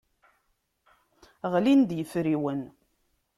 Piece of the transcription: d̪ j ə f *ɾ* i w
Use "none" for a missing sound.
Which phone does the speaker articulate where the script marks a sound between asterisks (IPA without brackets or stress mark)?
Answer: ɾ